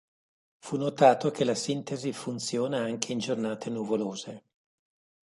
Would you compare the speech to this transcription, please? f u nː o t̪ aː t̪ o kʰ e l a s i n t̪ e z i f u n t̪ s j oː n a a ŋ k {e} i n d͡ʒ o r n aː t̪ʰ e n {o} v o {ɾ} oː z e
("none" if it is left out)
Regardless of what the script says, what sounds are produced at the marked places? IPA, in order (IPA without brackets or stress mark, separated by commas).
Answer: e, u, l